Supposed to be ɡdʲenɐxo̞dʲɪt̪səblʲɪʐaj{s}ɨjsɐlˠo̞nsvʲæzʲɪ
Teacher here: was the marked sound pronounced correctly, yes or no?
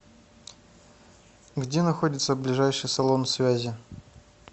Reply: no